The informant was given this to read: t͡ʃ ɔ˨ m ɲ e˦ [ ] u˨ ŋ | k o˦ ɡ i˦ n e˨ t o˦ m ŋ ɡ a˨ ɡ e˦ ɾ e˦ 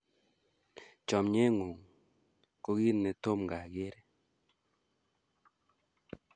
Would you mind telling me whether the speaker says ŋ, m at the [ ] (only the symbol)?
ŋ